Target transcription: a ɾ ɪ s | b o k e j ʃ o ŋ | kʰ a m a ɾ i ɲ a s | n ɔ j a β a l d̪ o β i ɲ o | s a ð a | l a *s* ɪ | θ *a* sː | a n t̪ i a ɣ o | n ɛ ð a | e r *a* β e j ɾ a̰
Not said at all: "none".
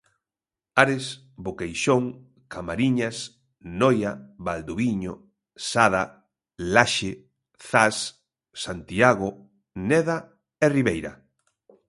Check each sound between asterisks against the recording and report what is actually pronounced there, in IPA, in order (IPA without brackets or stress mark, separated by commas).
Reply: ʃ, a, i